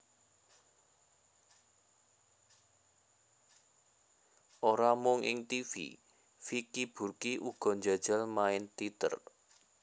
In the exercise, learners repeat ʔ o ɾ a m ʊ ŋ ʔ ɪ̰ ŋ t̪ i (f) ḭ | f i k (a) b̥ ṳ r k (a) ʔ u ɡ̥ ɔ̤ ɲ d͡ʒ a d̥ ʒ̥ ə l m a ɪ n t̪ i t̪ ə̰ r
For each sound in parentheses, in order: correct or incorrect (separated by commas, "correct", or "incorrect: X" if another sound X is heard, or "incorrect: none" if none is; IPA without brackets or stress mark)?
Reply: correct, incorrect: i, incorrect: i